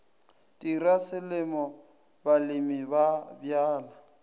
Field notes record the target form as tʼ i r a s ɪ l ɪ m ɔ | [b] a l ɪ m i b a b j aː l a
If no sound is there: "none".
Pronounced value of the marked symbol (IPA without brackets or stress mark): b